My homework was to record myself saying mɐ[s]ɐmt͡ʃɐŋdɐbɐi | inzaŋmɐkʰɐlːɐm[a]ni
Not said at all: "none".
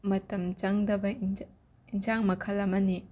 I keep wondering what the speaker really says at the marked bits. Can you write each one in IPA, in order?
t, ɐ

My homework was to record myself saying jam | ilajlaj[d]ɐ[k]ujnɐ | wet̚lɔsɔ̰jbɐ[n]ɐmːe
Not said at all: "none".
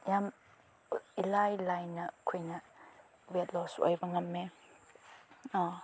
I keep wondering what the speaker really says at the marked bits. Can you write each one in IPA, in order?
n, kʰ, ŋ

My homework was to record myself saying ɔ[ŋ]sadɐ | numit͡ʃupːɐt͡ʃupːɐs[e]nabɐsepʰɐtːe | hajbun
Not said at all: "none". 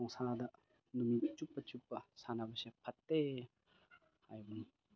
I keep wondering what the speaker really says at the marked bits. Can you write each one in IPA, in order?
ŋ, a

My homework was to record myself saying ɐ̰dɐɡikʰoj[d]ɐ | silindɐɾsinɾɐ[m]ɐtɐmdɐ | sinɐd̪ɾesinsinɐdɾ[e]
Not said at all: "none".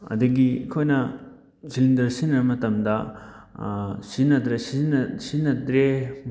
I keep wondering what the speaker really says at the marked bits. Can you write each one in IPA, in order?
n, m, e

